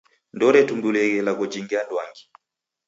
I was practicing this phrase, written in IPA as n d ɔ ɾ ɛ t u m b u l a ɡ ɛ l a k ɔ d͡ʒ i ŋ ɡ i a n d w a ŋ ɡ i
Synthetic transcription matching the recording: n d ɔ ɾ ɛ t u m b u l ɛ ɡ ɛ l a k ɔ d͡ʒ i ŋ ɡ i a n d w a ŋ ɡ i